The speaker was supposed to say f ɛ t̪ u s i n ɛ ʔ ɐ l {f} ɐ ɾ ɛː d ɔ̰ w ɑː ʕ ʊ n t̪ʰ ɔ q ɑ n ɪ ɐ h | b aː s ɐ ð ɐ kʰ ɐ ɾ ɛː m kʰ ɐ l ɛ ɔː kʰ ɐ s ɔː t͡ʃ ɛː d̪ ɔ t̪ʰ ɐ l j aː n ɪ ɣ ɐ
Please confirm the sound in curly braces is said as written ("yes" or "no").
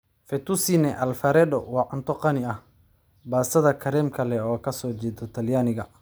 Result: yes